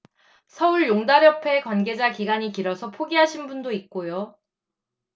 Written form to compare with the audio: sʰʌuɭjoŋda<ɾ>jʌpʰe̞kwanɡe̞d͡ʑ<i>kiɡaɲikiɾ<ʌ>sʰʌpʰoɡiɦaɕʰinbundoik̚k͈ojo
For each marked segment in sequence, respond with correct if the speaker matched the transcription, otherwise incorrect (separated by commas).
correct, incorrect, correct